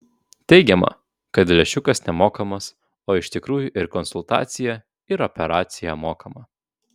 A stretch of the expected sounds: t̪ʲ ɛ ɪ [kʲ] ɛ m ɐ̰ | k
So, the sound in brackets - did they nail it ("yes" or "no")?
no